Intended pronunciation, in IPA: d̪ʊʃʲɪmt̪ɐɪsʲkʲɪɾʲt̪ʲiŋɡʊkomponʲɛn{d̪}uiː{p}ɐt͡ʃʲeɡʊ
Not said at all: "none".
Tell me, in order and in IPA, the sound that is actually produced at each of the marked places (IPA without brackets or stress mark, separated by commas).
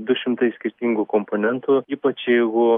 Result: t̪, p